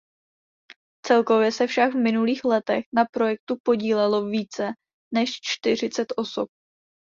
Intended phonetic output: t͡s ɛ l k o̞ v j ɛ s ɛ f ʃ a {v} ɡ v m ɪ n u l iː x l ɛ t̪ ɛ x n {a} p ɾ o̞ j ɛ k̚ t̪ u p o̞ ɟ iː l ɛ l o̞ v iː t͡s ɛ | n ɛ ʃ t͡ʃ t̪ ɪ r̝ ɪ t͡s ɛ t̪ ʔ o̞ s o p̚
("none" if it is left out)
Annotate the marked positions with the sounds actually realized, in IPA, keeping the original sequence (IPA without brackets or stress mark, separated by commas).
none, a